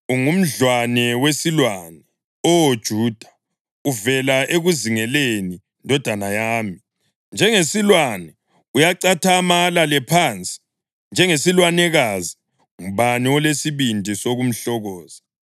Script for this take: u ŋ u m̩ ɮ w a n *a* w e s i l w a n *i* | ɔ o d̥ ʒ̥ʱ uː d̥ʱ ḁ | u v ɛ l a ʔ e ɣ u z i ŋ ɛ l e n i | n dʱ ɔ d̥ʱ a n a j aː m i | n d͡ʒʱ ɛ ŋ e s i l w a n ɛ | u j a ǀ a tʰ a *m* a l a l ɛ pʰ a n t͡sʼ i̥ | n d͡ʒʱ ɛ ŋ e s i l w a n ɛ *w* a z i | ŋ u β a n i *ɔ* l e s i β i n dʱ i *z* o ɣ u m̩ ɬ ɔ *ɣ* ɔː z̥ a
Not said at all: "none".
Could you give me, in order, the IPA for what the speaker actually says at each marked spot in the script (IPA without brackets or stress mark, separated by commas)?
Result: ɛ, ɛ, m, ɣ, ɔ, s, ɣ